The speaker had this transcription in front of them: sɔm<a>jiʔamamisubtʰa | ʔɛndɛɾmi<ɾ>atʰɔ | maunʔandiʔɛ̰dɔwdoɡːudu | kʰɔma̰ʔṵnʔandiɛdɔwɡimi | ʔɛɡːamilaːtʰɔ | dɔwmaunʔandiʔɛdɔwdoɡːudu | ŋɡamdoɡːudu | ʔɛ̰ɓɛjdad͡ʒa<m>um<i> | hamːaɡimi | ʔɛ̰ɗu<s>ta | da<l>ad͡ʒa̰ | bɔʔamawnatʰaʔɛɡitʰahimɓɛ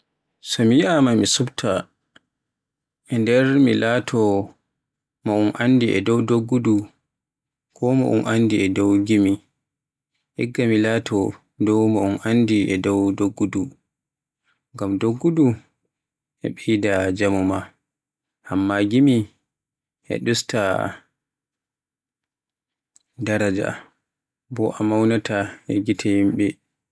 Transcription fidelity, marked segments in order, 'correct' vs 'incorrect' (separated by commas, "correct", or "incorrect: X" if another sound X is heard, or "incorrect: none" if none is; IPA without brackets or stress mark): incorrect: i, incorrect: l, correct, incorrect: a, correct, incorrect: ɾ